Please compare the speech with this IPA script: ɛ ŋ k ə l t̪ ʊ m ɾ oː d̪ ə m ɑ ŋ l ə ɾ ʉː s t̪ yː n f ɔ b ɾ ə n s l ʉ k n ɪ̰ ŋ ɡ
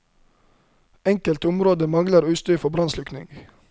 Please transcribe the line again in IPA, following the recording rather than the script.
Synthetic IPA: ɛ ŋ k ə l t̪ ʊ m ɾ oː d̪ ə m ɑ ŋ l ə ɾ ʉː s t̪ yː f ɔ b ɾ ɑ n s l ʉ k n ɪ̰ ŋ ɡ